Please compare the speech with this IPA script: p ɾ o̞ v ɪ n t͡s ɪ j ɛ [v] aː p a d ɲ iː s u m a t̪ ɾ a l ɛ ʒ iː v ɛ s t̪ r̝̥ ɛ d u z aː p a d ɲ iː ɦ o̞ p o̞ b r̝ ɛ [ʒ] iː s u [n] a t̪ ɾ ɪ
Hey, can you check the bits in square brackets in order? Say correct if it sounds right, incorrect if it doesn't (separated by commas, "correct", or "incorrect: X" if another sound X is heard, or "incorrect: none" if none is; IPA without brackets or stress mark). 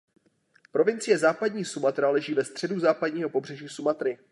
incorrect: z, correct, incorrect: m